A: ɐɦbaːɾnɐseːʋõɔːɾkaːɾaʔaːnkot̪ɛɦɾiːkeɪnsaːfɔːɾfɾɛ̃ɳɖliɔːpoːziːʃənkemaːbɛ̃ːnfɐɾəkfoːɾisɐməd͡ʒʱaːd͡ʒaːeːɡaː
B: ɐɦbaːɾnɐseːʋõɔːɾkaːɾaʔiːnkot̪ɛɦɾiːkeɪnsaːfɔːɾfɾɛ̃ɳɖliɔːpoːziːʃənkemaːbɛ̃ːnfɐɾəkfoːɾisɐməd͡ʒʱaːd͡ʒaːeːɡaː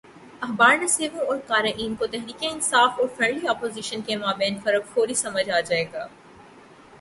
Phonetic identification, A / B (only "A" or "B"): B